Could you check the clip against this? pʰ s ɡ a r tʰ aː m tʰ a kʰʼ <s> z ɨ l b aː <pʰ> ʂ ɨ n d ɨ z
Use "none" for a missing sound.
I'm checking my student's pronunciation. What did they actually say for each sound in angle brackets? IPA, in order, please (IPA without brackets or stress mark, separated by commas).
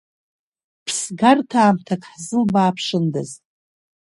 ħ, pʰ